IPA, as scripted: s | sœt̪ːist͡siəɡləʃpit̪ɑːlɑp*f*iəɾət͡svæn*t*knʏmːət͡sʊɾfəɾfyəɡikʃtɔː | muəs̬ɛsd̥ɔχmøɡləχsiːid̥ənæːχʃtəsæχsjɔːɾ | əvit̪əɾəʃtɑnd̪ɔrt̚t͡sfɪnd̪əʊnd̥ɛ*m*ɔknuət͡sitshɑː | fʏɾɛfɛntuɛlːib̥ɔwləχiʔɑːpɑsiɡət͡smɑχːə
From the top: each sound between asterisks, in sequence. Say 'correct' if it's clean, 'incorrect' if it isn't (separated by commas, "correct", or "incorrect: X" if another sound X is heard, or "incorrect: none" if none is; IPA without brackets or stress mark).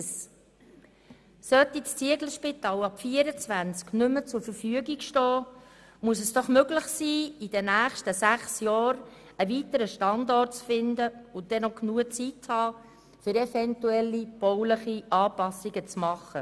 correct, incorrect: t͡s, incorrect: n